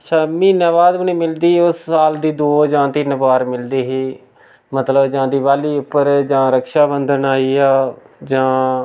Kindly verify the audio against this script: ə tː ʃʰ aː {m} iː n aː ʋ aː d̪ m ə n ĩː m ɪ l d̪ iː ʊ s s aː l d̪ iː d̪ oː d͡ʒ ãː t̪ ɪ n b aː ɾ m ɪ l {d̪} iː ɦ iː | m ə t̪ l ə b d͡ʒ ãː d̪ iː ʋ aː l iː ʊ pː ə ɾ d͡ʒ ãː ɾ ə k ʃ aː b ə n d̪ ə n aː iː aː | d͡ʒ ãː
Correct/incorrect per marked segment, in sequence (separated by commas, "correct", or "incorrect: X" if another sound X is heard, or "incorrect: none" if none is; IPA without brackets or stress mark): correct, correct